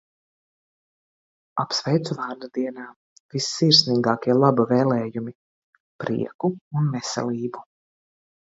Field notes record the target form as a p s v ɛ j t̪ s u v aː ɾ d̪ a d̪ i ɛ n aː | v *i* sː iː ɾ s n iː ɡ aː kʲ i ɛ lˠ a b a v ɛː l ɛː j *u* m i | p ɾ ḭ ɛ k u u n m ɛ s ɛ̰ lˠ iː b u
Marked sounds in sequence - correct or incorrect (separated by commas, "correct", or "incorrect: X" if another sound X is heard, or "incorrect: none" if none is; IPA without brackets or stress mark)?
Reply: correct, correct